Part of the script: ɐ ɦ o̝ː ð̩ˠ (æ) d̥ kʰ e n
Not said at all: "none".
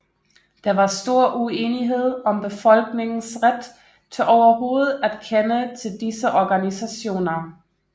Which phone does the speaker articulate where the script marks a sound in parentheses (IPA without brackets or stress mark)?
æ